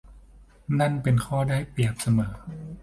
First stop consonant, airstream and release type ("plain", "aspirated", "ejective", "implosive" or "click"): plain